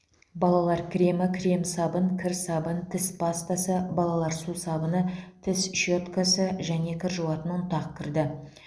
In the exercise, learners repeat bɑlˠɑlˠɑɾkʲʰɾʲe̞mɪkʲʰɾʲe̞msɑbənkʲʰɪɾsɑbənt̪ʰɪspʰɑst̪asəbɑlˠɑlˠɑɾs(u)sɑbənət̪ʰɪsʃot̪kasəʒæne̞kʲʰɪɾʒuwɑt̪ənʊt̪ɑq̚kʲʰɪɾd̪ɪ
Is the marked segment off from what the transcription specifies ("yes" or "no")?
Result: no